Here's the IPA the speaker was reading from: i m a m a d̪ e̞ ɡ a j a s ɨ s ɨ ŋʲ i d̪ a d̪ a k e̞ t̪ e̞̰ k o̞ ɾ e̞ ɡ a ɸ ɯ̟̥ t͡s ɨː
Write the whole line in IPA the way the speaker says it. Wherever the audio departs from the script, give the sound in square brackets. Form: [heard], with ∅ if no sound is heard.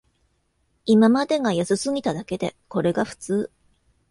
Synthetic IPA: i m a m a d̪ e̞ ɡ a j a s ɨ s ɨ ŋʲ i [t̪] a d̪ a k e̞ [d̪] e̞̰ k o̞ ɾ e̞ ɡ a ɸ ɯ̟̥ t͡s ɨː